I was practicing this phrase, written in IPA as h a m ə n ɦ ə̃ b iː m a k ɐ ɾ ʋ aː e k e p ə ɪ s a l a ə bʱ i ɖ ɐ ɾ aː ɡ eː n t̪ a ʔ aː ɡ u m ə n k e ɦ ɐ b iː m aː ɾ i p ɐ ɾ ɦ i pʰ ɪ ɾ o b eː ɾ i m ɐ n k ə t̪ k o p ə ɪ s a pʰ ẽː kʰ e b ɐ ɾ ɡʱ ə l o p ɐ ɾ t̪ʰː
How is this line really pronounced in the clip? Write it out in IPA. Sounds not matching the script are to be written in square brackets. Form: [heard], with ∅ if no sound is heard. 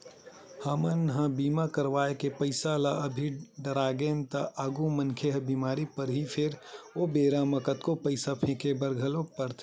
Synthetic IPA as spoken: h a m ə n ɦ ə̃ b iː m a k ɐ ɾ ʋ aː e k e p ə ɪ s a l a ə bʱ i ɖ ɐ ɾ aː ɡ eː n t̪ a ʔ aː ɡ u m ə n [kʰ] e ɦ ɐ b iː m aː ɾ i p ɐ ɾ ɦ i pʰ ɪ ɾ o b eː ɾ [a] m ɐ [∅] k ə t̪ k o p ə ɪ s a pʰ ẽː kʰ e b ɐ ɾ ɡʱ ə l o p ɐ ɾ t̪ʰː

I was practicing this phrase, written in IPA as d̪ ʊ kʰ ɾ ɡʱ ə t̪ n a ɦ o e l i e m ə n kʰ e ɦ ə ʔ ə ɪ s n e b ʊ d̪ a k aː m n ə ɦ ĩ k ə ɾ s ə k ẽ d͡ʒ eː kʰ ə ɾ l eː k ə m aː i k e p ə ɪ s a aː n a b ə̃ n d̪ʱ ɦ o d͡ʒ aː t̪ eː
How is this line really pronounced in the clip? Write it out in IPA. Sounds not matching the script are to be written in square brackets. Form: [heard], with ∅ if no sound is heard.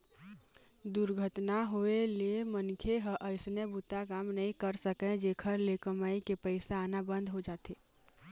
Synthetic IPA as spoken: d̪ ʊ [∅] ɾ ɡʱ ə t̪ n a ɦ o e l i e m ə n kʰ e ɦ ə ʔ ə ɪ s n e b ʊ [t̪] a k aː m n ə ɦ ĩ k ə ɾ s ə k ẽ d͡ʒ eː kʰ ə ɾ l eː k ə m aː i k e p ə ɪ s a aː n a b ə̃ n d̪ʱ ɦ o d͡ʒ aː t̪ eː

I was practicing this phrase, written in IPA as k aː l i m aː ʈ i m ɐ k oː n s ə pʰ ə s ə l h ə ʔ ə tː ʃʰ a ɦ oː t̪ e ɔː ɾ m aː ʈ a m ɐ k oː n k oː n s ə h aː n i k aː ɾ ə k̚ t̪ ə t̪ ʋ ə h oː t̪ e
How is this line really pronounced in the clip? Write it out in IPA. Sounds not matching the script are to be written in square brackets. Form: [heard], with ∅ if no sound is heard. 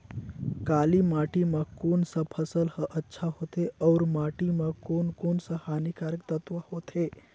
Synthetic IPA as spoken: k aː l i m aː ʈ i m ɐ k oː n s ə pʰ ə s ə l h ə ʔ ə tː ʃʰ a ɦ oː t̪ e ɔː ɾ m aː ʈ [i] m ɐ k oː n k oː n s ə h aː n i k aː ɾ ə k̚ t̪ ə t̪ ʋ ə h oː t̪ e

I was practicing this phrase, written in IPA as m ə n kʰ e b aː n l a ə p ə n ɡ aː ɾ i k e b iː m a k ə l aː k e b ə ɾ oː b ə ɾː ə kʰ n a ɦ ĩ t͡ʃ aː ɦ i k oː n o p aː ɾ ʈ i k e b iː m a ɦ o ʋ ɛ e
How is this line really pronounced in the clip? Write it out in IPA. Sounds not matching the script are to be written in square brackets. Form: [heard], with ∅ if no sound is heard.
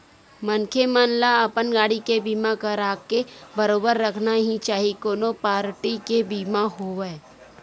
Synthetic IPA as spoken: m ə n kʰ e [m] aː n l a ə p ə n ɡ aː [ɽ] i k e b iː m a k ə [ɾ] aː k e b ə ɾ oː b ə ɾː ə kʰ n a ɦ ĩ t͡ʃ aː ɦ i k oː n o p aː ɾ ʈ i k e b iː m a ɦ o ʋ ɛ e

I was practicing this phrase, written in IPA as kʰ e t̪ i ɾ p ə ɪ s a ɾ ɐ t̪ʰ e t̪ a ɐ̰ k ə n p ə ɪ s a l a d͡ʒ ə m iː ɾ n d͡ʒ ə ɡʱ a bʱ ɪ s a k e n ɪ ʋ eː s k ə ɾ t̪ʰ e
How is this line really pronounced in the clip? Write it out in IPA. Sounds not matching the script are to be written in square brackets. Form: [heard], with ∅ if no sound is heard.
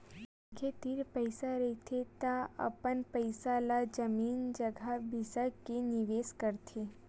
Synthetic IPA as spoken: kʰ e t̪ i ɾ p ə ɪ s a ɾ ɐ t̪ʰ e t̪ a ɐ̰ [p] ə n p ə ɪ s a l a d͡ʒ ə m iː [∅] n d͡ʒ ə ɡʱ a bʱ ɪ s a k e n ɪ ʋ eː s k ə ɾ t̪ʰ e

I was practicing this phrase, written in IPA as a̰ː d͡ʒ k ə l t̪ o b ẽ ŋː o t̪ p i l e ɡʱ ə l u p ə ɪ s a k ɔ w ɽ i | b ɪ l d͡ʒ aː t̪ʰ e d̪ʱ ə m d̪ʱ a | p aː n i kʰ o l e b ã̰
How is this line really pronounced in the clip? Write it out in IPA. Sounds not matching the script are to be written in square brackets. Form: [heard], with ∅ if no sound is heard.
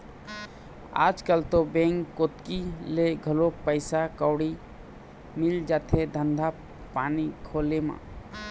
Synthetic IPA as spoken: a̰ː d͡ʒ k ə l t̪ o b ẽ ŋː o t̪ [k] i l e ɡʱ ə l [o] p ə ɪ s a k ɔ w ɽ i | [m] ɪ l d͡ʒ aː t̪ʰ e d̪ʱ ə [n] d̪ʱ a | p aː n i kʰ o l e [m] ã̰

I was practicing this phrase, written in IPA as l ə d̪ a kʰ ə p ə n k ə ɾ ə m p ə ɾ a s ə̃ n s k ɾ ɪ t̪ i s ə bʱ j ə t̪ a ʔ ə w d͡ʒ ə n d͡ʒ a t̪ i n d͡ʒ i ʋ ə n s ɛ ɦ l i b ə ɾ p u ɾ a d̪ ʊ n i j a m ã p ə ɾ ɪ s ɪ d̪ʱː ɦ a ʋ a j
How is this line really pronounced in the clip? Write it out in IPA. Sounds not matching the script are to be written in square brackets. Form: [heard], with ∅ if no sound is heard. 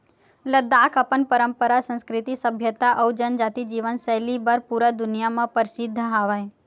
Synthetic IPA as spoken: l ə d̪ a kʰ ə p ə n [p] ə ɾ ə m p ə ɾ a s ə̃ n s k ɾ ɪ t̪ i s ə bʱ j ə t̪ a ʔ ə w d͡ʒ ə n d͡ʒ a t̪ i [∅] d͡ʒ i ʋ ə n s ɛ ɦ l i b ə ɾ p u ɾ a d̪ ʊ n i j a m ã p ə ɾ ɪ s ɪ d̪ʱː ɦ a ʋ a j

